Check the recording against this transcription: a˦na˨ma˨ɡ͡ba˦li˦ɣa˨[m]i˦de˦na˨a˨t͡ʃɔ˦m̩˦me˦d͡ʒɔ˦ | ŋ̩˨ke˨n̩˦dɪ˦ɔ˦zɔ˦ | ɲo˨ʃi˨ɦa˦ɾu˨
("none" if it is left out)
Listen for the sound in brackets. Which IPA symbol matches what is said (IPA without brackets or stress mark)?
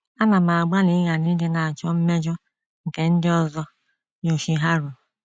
n